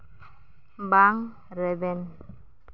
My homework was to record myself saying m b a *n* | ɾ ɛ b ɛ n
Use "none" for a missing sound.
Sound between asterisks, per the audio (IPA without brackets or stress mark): ŋ